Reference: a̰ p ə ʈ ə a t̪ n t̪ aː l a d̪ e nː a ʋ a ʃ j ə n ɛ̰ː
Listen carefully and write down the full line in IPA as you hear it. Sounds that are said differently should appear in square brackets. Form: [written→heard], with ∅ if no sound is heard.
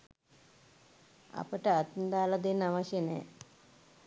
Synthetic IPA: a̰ p ə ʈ ə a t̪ n [t̪→d̪] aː l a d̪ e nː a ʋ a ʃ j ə n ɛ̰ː